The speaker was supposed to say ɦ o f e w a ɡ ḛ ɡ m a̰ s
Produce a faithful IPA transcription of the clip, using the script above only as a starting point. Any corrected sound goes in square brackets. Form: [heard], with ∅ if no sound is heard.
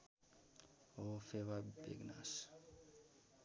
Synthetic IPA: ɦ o f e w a [b] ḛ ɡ [n] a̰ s